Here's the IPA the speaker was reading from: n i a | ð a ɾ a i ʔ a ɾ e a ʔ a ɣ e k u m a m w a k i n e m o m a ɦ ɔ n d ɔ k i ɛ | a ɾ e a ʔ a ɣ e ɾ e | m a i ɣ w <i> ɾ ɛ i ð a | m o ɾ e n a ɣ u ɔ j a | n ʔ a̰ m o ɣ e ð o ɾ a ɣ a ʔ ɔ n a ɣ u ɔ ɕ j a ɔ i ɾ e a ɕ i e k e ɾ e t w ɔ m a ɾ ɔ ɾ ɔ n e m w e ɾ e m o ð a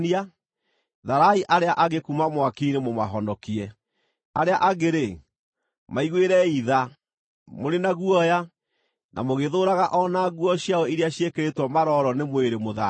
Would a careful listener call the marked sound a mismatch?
yes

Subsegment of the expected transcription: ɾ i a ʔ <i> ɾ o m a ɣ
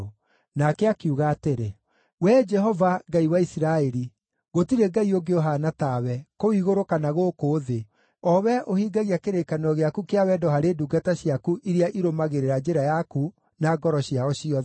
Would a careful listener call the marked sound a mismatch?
no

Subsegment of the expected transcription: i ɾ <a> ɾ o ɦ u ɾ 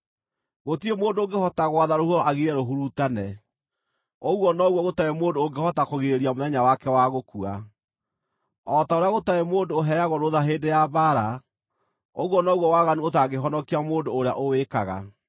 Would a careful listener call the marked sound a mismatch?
yes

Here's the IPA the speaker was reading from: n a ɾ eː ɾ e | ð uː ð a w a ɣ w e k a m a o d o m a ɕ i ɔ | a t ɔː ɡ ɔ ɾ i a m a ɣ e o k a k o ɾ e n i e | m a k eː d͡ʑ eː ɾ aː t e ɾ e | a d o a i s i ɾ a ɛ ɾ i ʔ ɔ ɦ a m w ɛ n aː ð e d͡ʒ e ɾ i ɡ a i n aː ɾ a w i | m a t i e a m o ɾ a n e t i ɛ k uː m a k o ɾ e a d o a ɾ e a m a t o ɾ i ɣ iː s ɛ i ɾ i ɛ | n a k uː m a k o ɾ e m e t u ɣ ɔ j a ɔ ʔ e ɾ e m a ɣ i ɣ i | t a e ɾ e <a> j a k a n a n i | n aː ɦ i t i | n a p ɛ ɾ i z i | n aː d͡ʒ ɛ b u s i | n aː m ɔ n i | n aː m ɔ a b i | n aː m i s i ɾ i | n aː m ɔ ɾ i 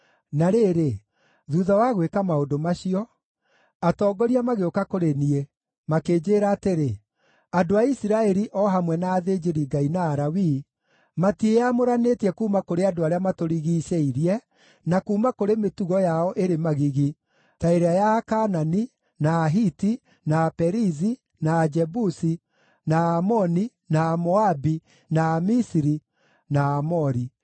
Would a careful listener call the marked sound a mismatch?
no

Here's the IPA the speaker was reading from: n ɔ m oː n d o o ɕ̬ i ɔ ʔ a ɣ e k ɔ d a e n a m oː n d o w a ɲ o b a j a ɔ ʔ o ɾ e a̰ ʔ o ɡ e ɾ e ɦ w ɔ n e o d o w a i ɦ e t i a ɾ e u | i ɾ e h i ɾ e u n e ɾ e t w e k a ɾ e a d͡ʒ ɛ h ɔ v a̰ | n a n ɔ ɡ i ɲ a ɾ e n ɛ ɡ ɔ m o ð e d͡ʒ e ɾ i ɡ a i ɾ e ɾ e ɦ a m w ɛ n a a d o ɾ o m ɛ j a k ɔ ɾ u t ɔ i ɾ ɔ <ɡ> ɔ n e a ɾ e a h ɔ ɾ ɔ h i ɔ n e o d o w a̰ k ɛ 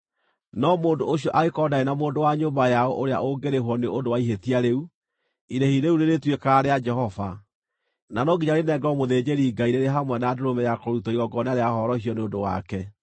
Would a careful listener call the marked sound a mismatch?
no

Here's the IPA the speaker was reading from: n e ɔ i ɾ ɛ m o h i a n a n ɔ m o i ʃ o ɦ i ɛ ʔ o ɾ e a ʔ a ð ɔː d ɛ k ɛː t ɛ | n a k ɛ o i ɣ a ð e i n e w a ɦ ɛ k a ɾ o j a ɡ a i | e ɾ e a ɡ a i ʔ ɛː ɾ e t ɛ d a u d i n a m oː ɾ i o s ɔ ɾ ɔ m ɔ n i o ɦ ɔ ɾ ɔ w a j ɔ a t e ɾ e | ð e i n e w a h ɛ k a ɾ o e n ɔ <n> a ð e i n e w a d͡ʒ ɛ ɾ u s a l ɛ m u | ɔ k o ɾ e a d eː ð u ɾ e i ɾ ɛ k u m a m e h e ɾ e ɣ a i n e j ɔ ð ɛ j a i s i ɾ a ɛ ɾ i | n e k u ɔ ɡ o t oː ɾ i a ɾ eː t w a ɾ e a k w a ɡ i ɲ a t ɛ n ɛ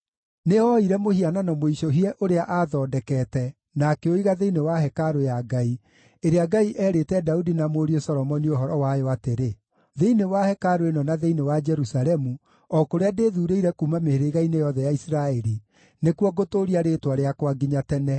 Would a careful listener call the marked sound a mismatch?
no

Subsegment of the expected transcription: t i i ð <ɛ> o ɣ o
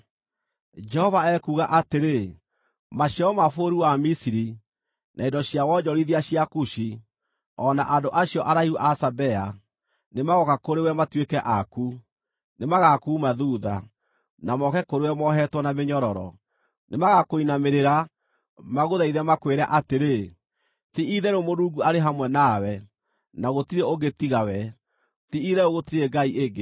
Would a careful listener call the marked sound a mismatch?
no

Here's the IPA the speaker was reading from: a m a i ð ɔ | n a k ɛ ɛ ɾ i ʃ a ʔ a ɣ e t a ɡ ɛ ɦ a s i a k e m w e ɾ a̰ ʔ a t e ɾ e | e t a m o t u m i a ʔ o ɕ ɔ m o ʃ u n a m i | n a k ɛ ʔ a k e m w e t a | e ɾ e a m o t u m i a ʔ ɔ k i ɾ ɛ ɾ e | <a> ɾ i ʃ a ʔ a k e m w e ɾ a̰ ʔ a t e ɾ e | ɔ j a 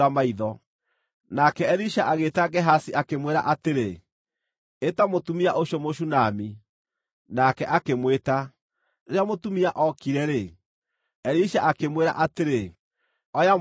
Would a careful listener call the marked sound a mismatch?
yes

